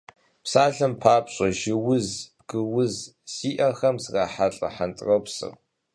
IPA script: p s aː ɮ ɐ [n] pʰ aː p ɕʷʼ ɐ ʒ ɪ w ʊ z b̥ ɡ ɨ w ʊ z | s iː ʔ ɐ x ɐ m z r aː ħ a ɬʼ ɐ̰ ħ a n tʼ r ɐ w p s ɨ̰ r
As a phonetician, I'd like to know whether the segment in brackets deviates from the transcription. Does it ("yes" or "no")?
yes